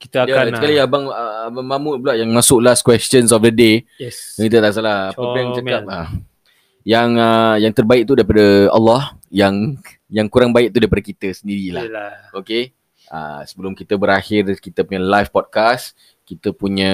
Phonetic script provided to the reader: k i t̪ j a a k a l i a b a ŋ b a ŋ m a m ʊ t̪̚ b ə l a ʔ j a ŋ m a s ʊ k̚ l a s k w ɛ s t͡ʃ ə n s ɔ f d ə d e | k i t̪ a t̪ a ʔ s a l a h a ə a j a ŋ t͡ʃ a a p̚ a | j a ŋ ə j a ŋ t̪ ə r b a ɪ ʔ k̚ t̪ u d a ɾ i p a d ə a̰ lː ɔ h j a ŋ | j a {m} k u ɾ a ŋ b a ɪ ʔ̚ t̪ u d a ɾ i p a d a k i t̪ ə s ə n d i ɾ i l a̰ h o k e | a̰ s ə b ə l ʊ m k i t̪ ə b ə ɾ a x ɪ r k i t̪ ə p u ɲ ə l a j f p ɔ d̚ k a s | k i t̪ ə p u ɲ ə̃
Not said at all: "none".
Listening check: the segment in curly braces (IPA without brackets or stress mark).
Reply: ŋ